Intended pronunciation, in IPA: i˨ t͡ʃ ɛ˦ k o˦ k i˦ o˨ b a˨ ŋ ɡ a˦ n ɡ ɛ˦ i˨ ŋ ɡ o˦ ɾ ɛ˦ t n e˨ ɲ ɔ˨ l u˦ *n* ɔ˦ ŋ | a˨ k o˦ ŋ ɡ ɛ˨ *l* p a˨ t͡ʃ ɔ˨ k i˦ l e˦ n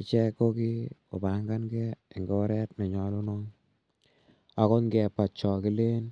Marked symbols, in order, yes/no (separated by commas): yes, no